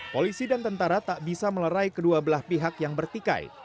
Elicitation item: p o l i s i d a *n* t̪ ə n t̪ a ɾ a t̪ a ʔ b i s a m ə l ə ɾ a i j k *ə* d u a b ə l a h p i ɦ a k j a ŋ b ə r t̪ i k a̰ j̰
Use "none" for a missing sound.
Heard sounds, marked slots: n, ə

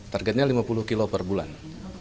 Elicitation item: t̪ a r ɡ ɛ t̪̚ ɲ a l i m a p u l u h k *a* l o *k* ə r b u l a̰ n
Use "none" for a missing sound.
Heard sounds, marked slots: i, p

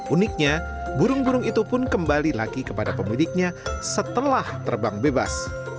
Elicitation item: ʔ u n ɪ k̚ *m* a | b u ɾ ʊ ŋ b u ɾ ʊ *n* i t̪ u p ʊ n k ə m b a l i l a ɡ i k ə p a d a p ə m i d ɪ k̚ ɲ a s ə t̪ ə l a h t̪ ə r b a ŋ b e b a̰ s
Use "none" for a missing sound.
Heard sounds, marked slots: ɲ, ŋ

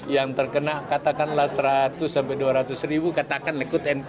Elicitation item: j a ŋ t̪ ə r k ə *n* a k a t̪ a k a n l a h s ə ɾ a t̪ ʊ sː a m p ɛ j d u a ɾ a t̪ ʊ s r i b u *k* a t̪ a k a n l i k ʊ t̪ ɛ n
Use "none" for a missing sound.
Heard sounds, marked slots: n, k

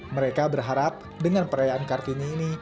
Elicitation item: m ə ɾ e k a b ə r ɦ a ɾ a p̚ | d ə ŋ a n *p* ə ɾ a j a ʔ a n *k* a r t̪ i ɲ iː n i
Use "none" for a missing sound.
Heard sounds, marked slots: p, k

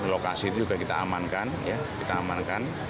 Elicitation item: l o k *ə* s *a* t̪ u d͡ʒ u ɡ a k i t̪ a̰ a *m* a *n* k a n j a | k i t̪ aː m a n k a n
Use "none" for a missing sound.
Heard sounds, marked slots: a, i, m, n

